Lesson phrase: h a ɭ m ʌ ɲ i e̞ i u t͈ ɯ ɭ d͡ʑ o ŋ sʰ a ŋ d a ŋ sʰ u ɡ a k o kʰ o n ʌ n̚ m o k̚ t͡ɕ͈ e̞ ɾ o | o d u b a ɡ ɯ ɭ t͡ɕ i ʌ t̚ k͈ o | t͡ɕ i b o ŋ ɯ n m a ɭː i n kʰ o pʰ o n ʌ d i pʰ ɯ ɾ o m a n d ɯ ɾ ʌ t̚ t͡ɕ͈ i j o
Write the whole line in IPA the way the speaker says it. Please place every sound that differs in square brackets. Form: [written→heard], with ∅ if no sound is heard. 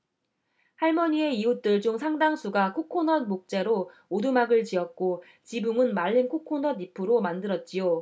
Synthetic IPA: h a ɭ m ʌ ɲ i e̞ i u t͈ ɯ ɭ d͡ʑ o ŋ sʰ a ŋ d a ŋ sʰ u ɡ a [k→kʰ] o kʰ o n ʌ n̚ m o k̚ t͡ɕ͈ e̞ ɾ o | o d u [b→m] a ɡ ɯ ɭ t͡ɕ i ʌ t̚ k͈ o | t͡ɕ i b [o→u] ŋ ɯ n m a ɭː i n kʰ o [pʰ→kʰ] o n ʌ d i pʰ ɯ ɾ o m a n d ɯ ɾ ʌ t̚ t͡ɕ͈ i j o

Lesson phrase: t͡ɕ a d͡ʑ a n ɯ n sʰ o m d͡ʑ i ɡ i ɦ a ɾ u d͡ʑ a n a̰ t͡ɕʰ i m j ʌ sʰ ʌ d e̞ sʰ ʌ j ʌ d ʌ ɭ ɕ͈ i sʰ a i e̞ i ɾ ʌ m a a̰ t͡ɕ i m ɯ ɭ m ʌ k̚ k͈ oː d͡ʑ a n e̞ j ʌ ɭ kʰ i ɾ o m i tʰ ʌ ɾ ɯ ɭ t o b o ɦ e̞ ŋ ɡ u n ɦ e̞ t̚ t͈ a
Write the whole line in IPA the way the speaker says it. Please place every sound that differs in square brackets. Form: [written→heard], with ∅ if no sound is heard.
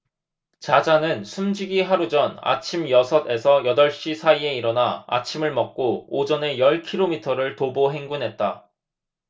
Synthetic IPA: t͡ɕ a d͡ʑ a n ɯ n sʰ [o→u] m d͡ʑ i ɡ i ɦ a ɾ u d͡ʑ [a→ʌ] n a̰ t͡ɕʰ i m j ʌ sʰ ʌ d e̞ sʰ ʌ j ʌ d ʌ ɭ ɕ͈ i sʰ a i e̞ i ɾ ʌ [m→n] a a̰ [t͡ɕ→t͡ɕʰ] i m ɯ ɭ m ʌ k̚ k͈ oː d͡ʑ [a→ʌ] n e̞ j ʌ ɭ kʰ i ɾ o m i tʰ ʌ ɾ ɯ ɭ t o b o ɦ e̞ ŋ ɡ u n ɦ e̞ t̚ t͈ a

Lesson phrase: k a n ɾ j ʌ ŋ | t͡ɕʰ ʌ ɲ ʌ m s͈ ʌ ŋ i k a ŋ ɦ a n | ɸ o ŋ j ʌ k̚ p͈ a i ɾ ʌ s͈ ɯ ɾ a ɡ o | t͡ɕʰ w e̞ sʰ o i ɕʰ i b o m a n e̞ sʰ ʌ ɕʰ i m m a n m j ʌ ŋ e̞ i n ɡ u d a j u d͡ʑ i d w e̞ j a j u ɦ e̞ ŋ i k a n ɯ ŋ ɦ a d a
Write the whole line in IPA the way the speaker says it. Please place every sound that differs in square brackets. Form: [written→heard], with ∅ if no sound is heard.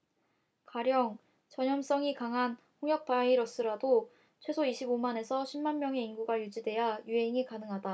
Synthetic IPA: k a [n→∅] ɾ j ʌ ŋ | [t͡ɕʰ→t͡ɕ] ʌ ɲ ʌ m s͈ ʌ ŋ i k a ŋ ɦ a n | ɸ o ŋ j ʌ k̚ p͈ a i ɾ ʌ s͈ ɯ ɾ a [ɡ→d] o | t͡ɕʰ w e̞ sʰ o i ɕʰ i b o m a n e̞ sʰ ʌ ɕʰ i m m a n m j ʌ ŋ e̞ i n ɡ u [d→ɡ] a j u d͡ʑ i d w e̞ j a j u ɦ e̞ ŋ i k a n ɯ ŋ ɦ a d a

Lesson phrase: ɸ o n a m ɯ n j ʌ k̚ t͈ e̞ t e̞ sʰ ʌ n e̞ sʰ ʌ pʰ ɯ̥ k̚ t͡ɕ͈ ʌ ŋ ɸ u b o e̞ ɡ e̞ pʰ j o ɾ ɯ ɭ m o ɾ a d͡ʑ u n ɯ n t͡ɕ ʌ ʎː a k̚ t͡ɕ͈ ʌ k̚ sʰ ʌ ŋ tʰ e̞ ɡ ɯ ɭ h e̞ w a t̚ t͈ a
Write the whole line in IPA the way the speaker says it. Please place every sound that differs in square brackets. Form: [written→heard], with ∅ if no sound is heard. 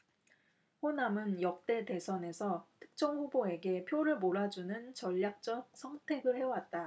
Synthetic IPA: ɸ o n a m ɯ n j ʌ k̚ t͈ e̞ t e̞ sʰ ʌ n e̞ sʰ ʌ [pʰ→tʰ] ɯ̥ k̚ t͡ɕ͈ ʌ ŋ ɸ u b o e̞ ɡ e̞ pʰ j o ɾ ɯ ɭ m o ɾ a d͡ʑ u n ɯ n t͡ɕ ʌ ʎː a k̚ t͡ɕ͈ ʌ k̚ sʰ ʌ ŋ tʰ e̞ ɡ ɯ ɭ h e̞ w a t̚ t͈ a

